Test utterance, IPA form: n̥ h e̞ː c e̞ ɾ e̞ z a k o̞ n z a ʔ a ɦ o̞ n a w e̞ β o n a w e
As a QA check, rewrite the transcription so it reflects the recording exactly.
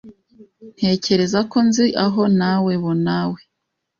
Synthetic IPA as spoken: n̥ h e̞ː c e̞ ɾ e̞ z a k o̞ n z i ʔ a ɦ o̞ n a w e̞ β o n a w e